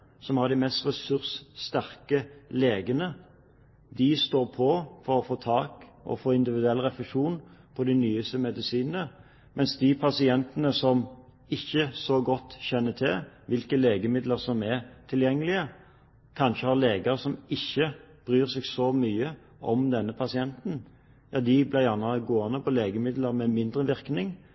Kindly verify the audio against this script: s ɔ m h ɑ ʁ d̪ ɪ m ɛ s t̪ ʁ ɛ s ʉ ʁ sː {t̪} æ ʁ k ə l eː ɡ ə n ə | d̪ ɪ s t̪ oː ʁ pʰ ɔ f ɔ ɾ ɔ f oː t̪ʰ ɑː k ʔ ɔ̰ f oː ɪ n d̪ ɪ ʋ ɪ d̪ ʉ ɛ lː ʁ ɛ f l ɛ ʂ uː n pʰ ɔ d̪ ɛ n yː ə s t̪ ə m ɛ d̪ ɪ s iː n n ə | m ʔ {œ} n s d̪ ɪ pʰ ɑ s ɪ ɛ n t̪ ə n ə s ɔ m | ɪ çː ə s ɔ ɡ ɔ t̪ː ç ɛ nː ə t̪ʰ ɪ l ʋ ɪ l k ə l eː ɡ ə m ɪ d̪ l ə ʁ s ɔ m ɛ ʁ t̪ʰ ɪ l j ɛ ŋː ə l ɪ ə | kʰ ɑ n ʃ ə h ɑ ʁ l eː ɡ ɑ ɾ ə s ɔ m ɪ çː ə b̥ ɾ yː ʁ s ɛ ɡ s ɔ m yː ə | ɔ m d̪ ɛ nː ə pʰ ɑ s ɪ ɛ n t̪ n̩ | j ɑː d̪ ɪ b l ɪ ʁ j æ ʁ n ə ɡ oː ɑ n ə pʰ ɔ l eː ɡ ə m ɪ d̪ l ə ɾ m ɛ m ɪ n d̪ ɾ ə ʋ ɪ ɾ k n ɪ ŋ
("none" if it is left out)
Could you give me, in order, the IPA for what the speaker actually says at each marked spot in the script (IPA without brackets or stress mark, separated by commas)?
t̪, ɛ